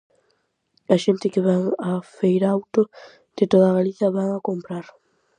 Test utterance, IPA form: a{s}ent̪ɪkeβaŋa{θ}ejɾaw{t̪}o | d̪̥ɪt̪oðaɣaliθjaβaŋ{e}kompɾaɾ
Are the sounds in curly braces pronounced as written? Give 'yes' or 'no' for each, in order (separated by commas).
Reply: no, no, yes, no